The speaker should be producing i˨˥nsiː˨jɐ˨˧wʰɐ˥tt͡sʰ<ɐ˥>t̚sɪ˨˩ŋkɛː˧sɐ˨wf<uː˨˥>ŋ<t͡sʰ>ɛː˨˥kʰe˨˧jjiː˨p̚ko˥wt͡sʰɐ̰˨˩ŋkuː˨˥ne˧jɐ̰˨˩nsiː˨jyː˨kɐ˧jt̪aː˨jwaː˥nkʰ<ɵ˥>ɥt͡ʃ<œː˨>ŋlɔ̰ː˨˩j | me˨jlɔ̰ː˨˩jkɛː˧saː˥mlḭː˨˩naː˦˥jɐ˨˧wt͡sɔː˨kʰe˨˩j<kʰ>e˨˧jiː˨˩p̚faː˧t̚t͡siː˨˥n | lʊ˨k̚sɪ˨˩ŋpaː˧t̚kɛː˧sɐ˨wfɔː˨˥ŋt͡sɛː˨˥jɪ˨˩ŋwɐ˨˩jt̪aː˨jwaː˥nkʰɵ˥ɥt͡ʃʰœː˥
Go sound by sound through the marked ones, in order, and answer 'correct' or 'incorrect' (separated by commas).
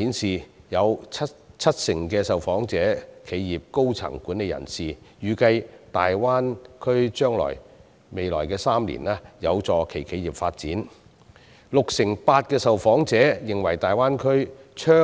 correct, incorrect, incorrect, correct, incorrect, correct